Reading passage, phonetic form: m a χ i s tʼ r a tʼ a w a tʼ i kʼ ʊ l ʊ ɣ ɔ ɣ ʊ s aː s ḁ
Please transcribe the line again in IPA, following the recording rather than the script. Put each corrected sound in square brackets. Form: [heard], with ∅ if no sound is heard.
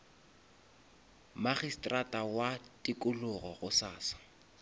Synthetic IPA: m a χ i s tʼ r a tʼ a w a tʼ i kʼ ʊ l ʊ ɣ ɔ ɣ ʊ s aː s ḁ